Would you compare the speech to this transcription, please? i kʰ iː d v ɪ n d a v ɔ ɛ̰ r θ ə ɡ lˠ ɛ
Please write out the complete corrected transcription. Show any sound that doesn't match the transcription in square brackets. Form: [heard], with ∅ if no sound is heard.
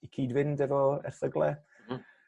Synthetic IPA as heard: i kʰ iː d v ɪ n d [ɛ] v ɔ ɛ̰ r θ ə ɡ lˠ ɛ